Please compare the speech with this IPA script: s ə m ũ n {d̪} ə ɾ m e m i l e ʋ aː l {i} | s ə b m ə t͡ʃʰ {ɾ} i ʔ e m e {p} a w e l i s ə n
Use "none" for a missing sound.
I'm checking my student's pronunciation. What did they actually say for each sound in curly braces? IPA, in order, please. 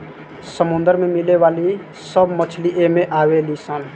d̪, i, l, ʔ

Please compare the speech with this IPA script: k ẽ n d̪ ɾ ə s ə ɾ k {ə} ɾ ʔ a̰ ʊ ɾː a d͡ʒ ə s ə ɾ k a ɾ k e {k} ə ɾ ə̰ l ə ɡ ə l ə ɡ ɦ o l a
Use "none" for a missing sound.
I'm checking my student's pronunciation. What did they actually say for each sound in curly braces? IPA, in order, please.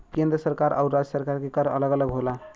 a, k

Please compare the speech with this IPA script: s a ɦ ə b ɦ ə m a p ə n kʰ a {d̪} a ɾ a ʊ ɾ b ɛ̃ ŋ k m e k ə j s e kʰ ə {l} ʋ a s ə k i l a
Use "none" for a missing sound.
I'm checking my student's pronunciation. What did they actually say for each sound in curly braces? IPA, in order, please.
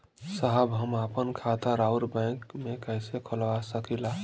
t̪, l

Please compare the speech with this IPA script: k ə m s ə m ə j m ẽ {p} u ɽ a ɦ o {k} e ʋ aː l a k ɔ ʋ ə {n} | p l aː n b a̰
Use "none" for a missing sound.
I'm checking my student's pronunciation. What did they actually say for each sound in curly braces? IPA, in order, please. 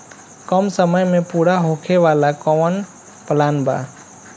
p, kʰ, n

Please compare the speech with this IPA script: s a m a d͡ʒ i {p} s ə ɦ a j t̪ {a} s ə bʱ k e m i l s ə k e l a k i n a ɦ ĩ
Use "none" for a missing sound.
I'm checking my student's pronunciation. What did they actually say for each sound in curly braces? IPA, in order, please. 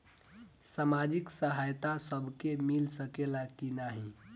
k, a

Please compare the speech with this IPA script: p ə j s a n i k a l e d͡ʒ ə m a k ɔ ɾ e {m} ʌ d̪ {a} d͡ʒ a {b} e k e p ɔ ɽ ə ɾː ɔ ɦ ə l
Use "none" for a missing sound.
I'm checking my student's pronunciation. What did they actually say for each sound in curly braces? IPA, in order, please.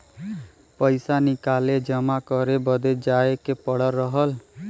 b, e, none

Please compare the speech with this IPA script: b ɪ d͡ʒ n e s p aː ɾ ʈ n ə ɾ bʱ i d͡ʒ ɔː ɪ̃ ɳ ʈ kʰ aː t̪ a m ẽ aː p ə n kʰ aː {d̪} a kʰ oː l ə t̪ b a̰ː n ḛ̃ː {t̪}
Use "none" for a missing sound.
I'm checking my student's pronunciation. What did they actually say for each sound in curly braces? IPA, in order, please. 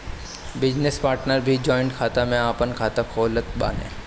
t̪, none

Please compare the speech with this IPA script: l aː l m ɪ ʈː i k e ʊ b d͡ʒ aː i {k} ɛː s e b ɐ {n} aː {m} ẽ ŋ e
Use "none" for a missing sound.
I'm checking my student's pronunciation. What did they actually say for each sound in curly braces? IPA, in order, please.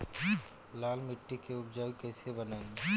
k, n, none

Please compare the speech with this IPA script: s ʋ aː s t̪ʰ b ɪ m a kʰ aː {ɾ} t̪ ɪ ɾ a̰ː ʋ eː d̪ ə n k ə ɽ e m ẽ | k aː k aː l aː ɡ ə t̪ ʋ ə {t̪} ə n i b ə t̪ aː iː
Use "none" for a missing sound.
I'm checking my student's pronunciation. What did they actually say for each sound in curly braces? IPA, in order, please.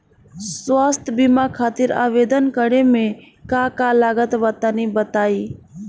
none, t̪

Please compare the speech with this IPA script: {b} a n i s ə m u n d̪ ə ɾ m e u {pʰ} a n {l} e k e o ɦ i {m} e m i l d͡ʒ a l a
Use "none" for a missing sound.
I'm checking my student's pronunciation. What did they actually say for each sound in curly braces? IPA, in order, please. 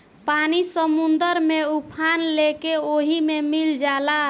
p, pʰ, l, m

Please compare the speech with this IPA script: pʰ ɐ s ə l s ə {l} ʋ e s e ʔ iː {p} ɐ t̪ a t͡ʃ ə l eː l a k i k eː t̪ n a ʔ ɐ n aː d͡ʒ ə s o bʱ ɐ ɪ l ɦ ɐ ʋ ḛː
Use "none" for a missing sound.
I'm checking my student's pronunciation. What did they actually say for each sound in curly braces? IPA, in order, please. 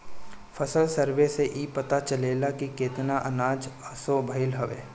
ɾ, p

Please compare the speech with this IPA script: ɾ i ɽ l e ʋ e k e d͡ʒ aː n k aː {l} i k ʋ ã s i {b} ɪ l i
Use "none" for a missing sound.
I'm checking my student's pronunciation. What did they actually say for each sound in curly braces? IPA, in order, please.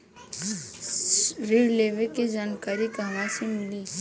ɾ, m

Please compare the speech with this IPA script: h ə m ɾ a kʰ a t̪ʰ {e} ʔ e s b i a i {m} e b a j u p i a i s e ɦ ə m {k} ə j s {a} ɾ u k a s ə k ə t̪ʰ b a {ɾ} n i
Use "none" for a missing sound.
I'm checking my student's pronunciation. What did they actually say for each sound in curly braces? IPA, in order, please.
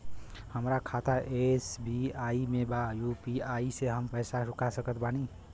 a, m, p, a, none

